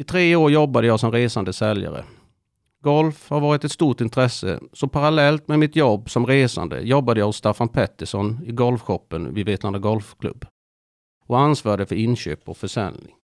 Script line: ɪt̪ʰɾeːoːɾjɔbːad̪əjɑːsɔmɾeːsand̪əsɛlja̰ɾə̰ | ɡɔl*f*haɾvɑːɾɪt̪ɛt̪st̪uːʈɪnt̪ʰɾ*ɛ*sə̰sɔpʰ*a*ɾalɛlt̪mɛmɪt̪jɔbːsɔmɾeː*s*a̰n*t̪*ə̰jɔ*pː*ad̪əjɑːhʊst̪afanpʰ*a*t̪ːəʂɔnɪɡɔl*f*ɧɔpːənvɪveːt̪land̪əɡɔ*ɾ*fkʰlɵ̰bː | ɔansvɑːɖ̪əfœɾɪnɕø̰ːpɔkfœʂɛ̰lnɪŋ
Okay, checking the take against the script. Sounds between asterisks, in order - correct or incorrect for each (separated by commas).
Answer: correct, correct, correct, correct, incorrect, incorrect, incorrect, correct, incorrect